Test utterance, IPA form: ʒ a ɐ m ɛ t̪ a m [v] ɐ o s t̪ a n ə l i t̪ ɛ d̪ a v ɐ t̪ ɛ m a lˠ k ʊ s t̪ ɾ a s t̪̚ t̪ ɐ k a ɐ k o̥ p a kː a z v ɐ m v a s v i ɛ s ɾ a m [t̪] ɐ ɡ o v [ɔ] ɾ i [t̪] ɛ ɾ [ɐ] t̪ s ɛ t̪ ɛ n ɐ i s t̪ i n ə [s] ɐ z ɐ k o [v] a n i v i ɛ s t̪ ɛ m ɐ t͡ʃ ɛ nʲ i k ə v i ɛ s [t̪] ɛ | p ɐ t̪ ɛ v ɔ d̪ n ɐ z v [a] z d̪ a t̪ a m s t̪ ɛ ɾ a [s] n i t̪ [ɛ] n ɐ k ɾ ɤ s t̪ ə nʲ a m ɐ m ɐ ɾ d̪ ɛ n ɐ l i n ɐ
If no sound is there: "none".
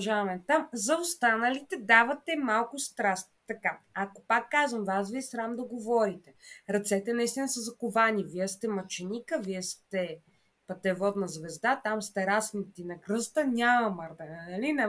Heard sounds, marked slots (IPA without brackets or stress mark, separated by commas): z, d̪, ɔ, t̪, ɐ, s, v, t̪, ɛ, s, i